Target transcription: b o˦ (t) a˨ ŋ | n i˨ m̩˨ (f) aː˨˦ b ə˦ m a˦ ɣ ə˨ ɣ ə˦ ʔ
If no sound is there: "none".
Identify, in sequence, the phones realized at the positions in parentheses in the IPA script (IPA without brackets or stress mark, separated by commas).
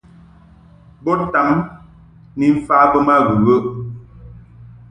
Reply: t, f